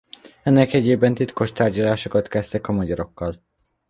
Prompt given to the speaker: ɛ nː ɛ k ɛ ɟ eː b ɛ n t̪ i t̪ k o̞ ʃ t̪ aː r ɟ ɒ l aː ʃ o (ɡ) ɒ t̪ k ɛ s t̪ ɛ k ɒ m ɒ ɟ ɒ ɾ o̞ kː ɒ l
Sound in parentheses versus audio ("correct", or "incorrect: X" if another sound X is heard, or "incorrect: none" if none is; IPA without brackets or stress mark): incorrect: k